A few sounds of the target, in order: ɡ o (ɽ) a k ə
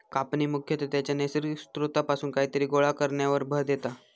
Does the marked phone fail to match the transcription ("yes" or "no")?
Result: yes